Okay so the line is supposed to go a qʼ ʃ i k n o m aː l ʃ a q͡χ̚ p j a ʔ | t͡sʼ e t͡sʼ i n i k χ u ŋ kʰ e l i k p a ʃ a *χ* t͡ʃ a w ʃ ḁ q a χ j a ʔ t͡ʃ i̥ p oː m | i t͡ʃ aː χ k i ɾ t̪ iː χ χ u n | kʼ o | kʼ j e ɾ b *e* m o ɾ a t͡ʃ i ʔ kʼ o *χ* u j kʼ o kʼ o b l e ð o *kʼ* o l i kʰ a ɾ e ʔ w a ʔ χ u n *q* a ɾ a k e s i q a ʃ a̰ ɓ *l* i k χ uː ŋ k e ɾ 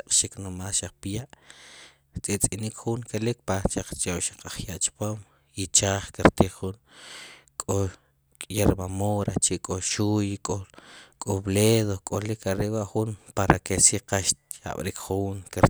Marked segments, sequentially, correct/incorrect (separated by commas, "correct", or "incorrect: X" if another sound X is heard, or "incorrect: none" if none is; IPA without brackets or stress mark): incorrect: q͡χ, incorrect: a, incorrect: ʃ, correct, incorrect: p, incorrect: ɾ